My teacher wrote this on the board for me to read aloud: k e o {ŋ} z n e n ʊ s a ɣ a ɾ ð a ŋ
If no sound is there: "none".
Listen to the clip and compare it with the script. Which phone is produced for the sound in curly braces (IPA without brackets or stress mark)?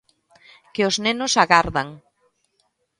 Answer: none